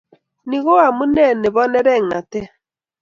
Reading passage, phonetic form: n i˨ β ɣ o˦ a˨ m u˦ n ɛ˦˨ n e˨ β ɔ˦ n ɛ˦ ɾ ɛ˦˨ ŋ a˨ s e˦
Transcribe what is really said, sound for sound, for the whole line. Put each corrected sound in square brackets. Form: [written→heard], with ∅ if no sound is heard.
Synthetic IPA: n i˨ [β→∅] ɣ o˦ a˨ m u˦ n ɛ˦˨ n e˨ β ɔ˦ n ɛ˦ ɾ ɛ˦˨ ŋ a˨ [s→t] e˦